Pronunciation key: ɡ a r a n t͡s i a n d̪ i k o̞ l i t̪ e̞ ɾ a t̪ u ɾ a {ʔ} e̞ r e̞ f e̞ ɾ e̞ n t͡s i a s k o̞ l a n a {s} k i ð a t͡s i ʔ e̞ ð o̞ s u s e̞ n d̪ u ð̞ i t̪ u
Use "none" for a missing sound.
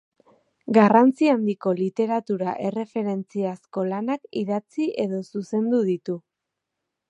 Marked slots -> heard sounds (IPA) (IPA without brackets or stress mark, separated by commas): ʔ, none